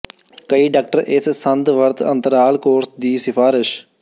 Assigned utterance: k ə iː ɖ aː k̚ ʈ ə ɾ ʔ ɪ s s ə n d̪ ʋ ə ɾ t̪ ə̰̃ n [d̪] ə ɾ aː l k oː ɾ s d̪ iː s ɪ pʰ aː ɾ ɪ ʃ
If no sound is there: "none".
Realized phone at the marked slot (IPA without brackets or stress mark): t̪